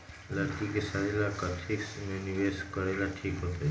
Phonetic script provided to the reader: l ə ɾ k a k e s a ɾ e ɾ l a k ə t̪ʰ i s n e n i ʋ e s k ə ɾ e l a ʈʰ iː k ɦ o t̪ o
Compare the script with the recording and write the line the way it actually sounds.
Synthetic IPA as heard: l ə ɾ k i k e s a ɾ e l a k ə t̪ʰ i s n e n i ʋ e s k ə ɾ e l a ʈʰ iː k ɦ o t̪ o